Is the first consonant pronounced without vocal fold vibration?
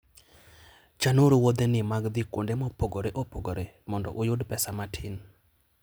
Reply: yes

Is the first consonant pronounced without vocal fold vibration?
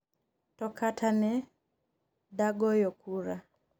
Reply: yes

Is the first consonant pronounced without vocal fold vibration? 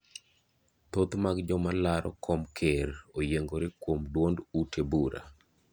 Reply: yes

